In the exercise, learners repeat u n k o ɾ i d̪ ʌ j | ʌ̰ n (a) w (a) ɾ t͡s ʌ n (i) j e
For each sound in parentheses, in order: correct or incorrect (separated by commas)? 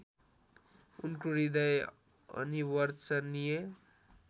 incorrect, incorrect, correct